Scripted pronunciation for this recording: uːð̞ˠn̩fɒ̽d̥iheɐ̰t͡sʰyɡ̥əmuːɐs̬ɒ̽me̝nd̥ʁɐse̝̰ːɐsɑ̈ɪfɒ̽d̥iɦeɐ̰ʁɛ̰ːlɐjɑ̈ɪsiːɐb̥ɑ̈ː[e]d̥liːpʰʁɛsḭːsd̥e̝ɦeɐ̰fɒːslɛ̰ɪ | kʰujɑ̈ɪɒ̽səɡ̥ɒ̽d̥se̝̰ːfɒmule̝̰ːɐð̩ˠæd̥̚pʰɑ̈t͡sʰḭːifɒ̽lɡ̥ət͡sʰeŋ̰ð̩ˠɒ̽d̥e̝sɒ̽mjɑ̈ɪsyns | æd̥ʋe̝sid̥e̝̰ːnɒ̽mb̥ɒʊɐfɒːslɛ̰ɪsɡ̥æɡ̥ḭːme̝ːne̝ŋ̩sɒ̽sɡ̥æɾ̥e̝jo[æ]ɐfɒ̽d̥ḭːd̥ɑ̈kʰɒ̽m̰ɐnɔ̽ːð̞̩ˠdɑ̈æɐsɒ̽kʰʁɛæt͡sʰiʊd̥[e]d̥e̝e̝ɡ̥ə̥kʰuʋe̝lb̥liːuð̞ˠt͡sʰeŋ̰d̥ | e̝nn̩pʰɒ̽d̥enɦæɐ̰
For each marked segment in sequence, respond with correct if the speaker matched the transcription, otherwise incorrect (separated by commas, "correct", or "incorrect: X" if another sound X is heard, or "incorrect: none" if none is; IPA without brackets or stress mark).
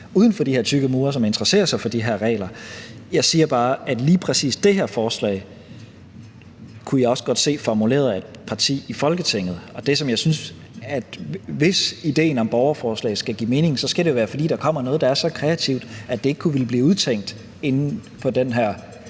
incorrect: æ, incorrect: æː, incorrect: æ